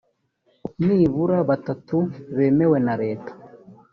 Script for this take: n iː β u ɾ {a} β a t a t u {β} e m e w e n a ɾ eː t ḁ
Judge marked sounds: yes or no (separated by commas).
yes, yes